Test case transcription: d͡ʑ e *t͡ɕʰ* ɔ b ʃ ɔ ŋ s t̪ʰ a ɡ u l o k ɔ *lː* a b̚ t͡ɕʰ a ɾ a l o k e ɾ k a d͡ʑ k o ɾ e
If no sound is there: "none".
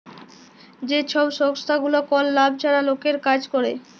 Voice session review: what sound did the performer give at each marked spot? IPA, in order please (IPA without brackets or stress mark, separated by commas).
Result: t͡ɕʰ, lː